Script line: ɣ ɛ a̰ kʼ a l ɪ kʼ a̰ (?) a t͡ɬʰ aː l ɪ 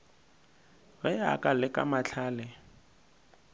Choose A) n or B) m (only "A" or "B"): B